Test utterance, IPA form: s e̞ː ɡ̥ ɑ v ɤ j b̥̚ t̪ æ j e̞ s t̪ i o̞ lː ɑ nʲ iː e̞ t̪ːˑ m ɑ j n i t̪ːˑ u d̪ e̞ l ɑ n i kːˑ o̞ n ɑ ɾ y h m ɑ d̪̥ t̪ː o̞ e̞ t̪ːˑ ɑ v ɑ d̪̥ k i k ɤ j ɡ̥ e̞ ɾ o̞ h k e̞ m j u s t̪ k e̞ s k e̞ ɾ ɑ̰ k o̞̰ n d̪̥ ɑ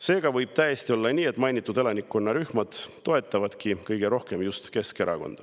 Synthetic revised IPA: s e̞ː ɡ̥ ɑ v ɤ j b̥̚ t̪ æ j e̞ s t̪ i o̞ lː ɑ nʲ iː e̞ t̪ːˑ m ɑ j n i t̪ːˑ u d̪ e̞ l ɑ n i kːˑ o̞ nː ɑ ɾ y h m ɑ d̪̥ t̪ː o̞ e̞ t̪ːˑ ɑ v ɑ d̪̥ k i k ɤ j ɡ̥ e̞ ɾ o̞ h k e̞ m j u s t̪ k e̞ s k e̞ ɾ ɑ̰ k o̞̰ n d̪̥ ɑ